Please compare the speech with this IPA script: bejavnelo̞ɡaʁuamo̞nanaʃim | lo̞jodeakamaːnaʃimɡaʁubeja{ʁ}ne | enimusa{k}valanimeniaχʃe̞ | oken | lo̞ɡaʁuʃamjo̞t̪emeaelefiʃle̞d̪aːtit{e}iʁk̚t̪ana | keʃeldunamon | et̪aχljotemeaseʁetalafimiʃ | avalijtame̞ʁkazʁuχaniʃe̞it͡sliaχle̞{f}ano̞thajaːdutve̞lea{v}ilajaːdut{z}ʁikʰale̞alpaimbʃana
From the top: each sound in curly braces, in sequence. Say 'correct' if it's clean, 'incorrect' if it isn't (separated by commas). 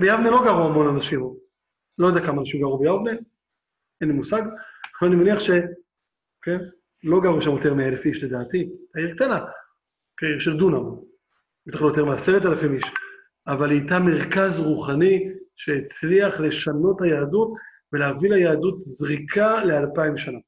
incorrect, incorrect, incorrect, incorrect, correct, correct